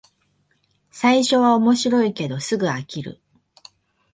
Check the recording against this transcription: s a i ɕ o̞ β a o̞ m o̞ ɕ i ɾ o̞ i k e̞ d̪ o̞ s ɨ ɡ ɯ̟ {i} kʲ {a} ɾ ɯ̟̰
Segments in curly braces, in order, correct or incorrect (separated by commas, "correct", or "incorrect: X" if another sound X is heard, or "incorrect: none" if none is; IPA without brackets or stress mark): incorrect: a, incorrect: i